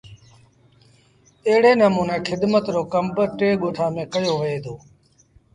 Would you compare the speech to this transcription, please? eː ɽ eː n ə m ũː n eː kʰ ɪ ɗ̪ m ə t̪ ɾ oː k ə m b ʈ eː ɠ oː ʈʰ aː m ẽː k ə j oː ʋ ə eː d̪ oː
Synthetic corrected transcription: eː ɽ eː n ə m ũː n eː kʰ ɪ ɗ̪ m ə t̪ ɾ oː k ə m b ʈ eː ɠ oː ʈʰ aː m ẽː k ə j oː ʋ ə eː d̪ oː